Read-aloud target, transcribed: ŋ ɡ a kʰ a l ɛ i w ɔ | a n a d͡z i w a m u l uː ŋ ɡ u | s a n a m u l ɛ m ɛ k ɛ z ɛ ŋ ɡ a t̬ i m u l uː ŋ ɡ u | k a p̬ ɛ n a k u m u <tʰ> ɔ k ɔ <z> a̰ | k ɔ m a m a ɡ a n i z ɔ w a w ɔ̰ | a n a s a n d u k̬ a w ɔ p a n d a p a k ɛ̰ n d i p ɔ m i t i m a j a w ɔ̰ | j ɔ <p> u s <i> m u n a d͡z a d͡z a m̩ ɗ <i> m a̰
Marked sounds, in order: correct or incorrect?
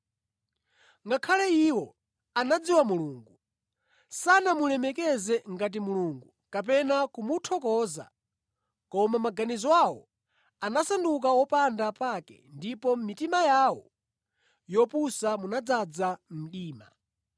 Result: correct, correct, correct, incorrect, incorrect

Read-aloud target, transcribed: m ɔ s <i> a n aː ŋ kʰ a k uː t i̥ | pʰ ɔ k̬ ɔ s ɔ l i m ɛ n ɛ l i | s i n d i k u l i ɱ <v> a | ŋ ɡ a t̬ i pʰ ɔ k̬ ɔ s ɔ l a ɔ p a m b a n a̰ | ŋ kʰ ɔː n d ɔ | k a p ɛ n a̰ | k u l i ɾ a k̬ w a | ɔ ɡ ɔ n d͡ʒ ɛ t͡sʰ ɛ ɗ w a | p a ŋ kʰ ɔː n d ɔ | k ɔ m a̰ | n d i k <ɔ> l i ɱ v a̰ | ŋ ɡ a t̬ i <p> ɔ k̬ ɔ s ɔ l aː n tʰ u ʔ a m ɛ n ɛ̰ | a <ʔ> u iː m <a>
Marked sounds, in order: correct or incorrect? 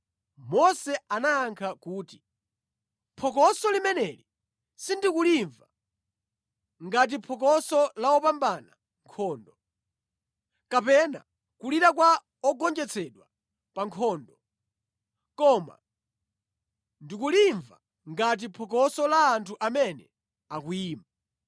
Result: incorrect, correct, incorrect, incorrect, incorrect, correct

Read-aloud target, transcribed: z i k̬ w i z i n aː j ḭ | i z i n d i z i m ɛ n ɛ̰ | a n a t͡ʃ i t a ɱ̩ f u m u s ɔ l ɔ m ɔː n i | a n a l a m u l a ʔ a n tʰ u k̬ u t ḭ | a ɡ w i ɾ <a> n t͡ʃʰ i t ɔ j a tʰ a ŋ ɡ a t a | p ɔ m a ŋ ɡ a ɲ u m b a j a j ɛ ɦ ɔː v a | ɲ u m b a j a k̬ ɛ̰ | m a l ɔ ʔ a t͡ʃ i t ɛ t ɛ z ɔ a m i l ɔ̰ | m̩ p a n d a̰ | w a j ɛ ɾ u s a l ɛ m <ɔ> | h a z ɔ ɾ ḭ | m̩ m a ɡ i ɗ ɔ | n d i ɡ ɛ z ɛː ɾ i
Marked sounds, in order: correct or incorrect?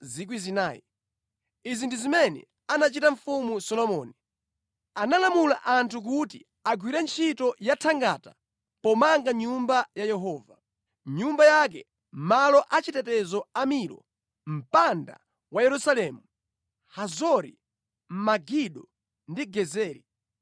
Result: incorrect, incorrect

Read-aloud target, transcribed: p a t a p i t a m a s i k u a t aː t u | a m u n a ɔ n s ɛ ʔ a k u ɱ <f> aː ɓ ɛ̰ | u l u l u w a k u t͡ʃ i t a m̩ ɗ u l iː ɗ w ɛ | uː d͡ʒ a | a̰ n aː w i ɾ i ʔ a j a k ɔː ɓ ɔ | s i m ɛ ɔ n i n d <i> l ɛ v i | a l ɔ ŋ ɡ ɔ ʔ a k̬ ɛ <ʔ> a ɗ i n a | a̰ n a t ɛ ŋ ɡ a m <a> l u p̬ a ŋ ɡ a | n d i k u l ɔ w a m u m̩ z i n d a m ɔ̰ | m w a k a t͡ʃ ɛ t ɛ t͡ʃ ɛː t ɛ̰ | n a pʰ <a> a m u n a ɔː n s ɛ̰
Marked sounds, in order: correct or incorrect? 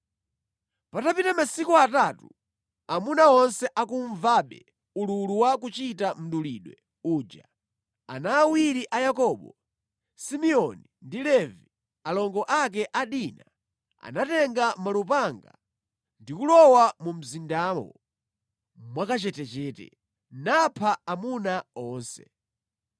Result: incorrect, correct, correct, correct, correct

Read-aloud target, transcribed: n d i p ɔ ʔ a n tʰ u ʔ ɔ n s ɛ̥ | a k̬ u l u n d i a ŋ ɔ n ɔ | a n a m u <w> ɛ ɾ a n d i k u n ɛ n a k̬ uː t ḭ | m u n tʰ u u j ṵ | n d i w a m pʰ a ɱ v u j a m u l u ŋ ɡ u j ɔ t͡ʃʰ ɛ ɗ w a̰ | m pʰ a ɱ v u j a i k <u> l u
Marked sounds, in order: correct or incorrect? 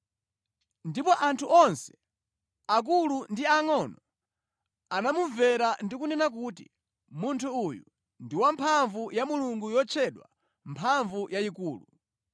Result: incorrect, incorrect

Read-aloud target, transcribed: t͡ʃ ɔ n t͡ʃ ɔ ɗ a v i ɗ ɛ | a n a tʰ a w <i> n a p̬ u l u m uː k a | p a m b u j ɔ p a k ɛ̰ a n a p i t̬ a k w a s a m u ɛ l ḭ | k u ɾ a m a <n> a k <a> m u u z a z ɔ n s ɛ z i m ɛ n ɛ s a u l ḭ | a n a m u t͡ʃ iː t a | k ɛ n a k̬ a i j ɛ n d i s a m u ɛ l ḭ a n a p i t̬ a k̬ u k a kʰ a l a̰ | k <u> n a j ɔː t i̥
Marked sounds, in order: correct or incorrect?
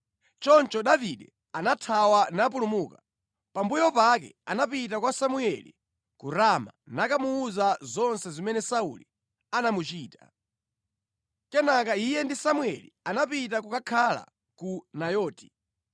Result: incorrect, correct, correct, correct

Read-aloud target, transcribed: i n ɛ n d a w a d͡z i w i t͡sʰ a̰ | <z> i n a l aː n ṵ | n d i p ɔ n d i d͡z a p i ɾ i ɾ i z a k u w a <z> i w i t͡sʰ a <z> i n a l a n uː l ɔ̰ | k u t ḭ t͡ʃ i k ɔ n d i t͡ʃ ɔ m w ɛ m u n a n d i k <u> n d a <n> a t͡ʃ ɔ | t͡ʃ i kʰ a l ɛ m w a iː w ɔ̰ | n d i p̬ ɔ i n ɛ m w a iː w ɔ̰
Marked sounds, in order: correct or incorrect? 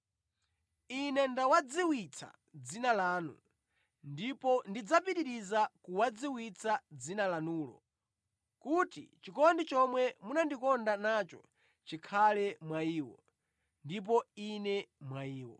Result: incorrect, incorrect, incorrect, incorrect, correct

